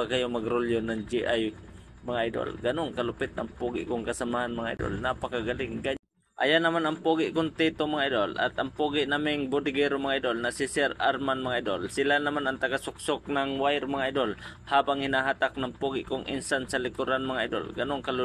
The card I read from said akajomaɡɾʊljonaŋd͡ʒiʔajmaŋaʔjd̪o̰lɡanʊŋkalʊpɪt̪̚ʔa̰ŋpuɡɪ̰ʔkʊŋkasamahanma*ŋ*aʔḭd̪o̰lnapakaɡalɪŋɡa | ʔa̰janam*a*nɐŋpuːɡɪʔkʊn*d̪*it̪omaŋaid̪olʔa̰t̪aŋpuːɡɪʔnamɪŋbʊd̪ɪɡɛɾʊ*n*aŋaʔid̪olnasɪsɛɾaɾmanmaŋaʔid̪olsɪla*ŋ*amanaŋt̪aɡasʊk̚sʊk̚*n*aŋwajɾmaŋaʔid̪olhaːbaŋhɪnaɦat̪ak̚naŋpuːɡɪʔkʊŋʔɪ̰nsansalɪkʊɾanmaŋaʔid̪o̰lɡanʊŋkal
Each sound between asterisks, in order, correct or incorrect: correct, correct, incorrect, incorrect, incorrect, correct

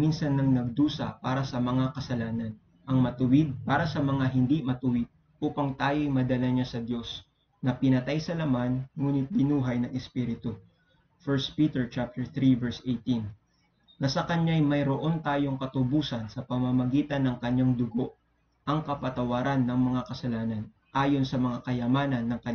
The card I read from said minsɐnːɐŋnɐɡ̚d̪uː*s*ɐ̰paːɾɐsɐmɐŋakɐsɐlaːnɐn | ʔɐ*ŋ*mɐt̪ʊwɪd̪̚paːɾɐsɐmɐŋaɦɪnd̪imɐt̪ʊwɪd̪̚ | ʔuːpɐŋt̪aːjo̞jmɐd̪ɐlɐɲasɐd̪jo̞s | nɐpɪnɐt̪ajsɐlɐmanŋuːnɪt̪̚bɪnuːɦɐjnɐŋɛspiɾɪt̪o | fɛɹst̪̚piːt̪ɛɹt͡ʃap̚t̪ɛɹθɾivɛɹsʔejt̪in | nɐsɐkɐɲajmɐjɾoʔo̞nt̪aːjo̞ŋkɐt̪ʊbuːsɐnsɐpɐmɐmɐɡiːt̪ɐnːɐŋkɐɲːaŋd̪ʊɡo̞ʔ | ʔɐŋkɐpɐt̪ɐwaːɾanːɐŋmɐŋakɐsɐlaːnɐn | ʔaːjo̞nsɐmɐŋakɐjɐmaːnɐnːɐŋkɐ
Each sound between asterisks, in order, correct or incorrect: correct, correct

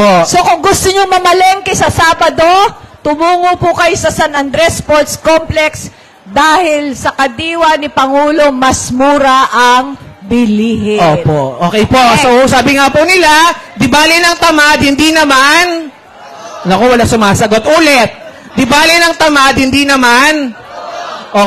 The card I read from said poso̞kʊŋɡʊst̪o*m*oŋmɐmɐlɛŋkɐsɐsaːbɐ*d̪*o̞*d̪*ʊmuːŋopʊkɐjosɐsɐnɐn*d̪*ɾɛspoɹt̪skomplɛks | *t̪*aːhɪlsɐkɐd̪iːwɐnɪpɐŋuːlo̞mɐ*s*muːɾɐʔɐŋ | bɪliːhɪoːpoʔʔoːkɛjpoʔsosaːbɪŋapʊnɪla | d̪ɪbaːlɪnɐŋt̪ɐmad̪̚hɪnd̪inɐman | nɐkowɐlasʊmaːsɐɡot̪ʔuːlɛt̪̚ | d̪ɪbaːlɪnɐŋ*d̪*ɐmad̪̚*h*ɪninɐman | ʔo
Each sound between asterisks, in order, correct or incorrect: incorrect, correct, incorrect, correct, incorrect, correct, incorrect, correct

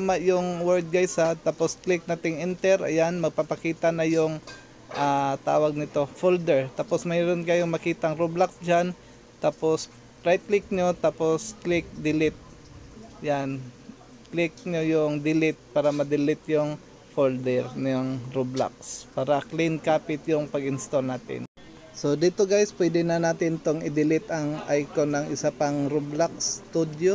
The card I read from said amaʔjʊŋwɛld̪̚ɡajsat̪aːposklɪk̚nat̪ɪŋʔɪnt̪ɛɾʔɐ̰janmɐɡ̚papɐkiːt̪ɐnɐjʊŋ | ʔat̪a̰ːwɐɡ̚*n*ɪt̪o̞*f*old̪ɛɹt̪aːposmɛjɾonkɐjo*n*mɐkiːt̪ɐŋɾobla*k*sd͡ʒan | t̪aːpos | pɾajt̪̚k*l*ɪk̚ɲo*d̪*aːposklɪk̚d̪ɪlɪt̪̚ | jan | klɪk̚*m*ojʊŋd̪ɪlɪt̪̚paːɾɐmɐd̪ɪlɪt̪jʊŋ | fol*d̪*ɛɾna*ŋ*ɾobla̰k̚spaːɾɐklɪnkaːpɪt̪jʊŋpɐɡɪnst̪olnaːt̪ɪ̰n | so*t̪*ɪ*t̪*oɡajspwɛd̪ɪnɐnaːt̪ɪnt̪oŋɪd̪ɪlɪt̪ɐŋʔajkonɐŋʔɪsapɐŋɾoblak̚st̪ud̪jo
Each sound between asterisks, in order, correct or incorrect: correct, correct, incorrect, correct, correct, incorrect, incorrect, correct, correct, incorrect, correct

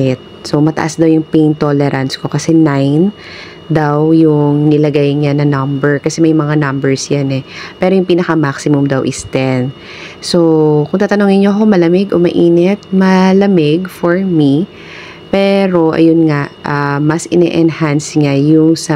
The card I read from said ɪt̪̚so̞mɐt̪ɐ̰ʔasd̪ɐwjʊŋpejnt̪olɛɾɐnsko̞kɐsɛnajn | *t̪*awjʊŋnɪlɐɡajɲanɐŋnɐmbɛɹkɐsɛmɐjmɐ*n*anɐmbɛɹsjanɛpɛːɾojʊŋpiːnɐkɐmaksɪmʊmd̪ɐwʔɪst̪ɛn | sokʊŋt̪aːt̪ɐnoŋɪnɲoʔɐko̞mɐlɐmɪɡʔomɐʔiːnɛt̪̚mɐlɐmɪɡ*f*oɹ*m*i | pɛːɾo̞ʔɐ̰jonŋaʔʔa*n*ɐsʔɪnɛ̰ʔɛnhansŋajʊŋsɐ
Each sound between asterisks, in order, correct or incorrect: incorrect, incorrect, correct, correct, incorrect

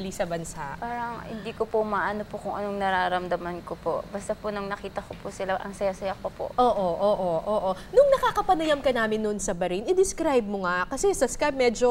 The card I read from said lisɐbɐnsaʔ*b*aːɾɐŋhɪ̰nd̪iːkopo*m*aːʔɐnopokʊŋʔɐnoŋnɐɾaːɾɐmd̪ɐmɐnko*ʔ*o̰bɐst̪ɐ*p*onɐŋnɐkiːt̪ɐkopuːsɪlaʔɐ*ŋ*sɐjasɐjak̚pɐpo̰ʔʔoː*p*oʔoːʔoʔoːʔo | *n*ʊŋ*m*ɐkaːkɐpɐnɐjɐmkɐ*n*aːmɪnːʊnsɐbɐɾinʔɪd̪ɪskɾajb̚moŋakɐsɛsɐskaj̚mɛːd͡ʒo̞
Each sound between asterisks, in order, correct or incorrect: incorrect, correct, incorrect, correct, correct, incorrect, correct, incorrect, correct

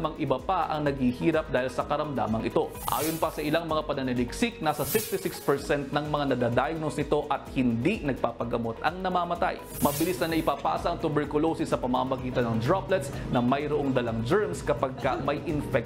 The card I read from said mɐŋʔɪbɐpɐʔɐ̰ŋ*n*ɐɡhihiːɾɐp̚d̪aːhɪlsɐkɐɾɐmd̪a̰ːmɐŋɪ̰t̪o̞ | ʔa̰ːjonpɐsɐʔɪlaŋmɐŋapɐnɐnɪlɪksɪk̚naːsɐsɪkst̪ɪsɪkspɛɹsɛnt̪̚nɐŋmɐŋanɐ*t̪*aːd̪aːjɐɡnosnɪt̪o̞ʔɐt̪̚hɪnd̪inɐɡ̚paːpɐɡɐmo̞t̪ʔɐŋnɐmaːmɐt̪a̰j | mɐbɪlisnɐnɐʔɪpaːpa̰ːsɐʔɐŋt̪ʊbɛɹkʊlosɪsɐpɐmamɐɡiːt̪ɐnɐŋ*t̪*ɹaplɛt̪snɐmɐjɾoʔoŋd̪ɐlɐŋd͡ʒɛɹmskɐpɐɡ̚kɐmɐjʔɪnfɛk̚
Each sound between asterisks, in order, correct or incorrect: correct, incorrect, incorrect

